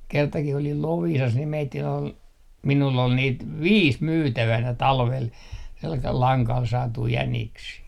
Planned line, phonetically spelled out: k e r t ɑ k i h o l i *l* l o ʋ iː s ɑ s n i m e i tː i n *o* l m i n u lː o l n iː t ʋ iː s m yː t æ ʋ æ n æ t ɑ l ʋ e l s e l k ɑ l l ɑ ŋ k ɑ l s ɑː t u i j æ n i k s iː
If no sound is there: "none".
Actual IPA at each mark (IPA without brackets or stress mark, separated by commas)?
l, o